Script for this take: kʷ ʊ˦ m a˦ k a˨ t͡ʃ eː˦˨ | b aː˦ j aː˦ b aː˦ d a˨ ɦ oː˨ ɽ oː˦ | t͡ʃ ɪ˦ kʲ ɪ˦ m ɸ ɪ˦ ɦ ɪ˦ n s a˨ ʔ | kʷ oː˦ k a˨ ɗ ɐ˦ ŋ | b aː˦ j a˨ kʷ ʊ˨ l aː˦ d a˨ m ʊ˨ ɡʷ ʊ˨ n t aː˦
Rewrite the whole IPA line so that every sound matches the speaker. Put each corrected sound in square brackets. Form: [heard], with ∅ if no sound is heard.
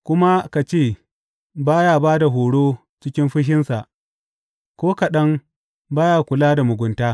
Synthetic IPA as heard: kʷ ʊ˦ m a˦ k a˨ t͡ʃ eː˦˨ | b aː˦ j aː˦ b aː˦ d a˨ ɦ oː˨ ɽ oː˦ | t͡ʃ ɪ˦ kʲ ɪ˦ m ɸ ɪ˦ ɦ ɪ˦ n s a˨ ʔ | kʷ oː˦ k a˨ ɗ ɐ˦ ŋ | b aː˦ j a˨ kʷ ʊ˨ l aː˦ d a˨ m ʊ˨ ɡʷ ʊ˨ n t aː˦